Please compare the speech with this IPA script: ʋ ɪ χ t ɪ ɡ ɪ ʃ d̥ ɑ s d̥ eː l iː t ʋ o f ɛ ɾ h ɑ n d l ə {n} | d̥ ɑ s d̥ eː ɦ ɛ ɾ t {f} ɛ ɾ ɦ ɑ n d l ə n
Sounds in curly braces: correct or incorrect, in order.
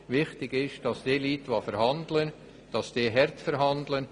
correct, correct

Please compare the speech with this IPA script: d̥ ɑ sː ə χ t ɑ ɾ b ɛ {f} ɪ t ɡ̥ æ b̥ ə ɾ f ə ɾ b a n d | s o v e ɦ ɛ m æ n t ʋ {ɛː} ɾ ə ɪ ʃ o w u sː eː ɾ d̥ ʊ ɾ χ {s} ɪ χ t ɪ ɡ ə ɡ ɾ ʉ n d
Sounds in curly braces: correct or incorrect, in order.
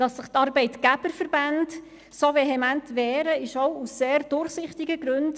incorrect: none, correct, correct

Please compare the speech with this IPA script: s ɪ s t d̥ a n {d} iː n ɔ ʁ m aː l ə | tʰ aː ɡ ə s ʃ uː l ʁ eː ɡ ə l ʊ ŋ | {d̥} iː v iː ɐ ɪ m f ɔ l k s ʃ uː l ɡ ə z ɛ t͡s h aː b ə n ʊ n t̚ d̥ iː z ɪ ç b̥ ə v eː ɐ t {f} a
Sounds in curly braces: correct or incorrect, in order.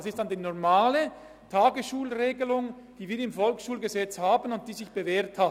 correct, correct, incorrect: h

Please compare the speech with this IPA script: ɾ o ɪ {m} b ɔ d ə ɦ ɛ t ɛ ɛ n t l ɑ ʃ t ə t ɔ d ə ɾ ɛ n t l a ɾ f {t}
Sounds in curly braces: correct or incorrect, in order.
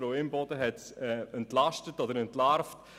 correct, correct

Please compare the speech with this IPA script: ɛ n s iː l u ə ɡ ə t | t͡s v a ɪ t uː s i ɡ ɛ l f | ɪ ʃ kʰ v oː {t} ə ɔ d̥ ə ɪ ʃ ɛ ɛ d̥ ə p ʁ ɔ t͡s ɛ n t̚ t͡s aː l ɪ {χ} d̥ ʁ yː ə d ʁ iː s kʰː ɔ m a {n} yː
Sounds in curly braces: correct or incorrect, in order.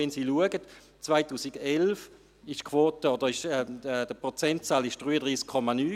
correct, incorrect: ʃ, correct

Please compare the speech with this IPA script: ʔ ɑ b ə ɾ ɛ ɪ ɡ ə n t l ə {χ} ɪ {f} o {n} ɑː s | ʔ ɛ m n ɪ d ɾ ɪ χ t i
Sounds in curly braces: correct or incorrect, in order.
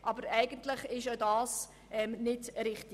correct, incorrect: ʃ, incorrect: d

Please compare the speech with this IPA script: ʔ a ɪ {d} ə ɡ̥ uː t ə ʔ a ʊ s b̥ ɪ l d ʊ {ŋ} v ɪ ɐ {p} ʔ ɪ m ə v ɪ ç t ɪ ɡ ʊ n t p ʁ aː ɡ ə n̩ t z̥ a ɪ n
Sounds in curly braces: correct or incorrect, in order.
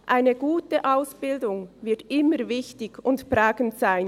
incorrect: n, correct, incorrect: t

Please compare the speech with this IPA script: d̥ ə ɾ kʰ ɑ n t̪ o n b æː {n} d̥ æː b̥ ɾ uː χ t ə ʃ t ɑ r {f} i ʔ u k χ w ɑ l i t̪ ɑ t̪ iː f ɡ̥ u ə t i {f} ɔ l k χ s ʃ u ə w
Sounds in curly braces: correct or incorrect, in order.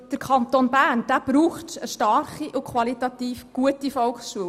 correct, incorrect: χ, correct

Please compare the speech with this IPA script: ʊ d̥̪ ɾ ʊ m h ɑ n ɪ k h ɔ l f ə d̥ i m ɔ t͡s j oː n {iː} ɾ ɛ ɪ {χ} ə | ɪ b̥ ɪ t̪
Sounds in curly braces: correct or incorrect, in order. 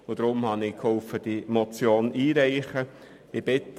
correct, correct

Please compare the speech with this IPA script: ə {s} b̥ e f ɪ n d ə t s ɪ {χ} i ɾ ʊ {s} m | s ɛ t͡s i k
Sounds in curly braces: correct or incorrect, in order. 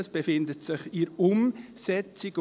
correct, correct, incorrect: none

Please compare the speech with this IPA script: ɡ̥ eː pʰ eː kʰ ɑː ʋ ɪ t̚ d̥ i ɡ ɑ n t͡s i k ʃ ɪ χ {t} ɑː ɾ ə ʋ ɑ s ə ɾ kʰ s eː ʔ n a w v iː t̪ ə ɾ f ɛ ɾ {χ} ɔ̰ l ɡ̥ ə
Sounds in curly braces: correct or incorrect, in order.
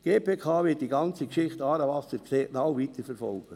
correct, incorrect: f

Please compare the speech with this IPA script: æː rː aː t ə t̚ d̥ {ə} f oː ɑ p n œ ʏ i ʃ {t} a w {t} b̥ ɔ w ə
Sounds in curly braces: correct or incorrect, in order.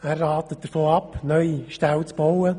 correct, correct, incorrect: t͡s

